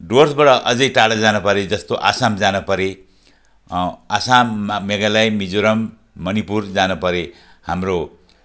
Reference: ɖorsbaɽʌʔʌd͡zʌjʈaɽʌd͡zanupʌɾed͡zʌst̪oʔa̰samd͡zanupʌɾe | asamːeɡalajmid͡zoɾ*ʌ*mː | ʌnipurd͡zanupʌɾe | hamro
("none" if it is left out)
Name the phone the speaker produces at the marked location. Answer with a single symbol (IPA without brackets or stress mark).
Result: ʌ